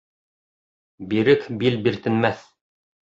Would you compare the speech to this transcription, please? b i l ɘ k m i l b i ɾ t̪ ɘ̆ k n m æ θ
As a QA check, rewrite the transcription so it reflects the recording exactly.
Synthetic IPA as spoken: b i ɾ ɘ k b i l b i ɾ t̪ ɘ̆ n m æ θ